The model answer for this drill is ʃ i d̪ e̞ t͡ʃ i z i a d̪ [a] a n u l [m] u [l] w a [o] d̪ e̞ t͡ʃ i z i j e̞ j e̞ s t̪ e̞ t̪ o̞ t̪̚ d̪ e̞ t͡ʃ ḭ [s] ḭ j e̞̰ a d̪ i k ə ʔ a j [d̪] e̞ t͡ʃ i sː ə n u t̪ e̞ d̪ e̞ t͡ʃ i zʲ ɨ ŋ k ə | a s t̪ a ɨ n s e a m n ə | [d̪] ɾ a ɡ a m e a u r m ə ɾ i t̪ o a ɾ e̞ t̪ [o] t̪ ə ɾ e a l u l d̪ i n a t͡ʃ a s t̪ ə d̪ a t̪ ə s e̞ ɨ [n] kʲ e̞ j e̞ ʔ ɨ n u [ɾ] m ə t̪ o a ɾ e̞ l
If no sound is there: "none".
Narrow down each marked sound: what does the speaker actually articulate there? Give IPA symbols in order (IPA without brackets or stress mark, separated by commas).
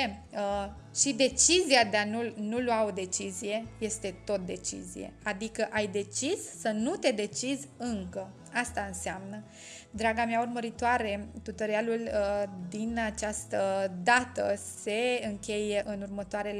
e, n, l, o, z, d̪, d̪, u, ŋ, r